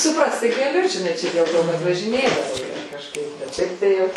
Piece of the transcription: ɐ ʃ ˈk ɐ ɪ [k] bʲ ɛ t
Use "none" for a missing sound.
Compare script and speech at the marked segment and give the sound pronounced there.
p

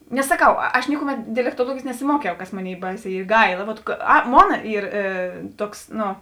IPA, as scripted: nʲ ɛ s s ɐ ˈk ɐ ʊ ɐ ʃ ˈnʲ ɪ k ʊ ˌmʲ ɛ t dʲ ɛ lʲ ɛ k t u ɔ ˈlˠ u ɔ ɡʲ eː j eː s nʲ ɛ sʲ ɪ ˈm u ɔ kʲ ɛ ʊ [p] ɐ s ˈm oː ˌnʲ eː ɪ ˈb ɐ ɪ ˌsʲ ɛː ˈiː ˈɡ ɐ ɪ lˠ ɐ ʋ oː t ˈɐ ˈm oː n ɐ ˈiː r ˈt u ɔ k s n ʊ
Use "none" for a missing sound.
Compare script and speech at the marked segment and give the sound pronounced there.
k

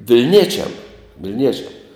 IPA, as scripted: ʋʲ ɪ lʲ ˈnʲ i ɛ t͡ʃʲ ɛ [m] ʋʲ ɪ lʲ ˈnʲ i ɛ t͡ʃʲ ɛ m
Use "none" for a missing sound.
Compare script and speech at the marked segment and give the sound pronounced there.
m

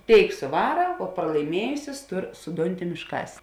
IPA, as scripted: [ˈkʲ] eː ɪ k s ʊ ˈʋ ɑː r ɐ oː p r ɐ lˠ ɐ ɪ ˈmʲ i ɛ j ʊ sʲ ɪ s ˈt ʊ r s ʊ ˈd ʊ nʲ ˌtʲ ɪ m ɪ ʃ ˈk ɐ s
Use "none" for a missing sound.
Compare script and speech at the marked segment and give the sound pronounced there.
tʲ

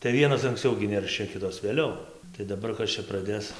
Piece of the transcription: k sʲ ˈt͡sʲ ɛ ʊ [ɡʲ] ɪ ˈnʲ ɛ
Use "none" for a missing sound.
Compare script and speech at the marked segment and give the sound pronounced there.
ɡʲ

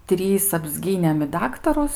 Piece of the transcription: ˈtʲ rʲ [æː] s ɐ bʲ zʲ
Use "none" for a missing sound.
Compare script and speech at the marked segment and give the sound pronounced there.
iː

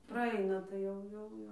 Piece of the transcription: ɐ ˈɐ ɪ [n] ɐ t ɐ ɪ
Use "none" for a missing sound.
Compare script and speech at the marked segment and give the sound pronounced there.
n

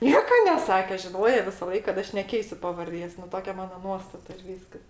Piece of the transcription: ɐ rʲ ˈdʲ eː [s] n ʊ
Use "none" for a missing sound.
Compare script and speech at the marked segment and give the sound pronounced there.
s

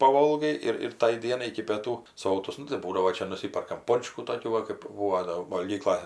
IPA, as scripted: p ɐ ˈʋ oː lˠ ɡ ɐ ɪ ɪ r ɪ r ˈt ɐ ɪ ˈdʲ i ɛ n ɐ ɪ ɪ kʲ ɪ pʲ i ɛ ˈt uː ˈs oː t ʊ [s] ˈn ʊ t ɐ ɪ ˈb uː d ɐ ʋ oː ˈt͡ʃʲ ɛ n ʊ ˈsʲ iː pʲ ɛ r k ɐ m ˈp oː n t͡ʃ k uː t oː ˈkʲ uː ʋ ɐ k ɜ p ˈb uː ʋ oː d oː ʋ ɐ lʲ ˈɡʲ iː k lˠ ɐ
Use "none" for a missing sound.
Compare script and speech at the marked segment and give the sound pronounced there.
s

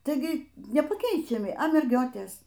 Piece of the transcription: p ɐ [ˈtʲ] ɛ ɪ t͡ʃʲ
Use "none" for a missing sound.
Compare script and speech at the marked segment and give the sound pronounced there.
kʲ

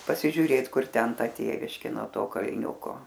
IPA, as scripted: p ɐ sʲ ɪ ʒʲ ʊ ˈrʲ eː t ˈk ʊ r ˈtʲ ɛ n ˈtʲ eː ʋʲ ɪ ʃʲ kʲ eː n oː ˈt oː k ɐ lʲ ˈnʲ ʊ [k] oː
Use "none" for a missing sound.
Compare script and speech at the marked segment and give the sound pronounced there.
k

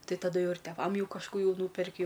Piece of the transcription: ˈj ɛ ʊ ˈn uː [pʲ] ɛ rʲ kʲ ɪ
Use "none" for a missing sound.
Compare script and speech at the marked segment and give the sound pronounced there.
pʲ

